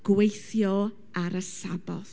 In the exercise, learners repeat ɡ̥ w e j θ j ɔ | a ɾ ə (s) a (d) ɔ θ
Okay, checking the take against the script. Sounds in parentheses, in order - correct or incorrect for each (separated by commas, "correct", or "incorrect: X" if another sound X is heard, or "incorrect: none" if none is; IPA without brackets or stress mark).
correct, incorrect: b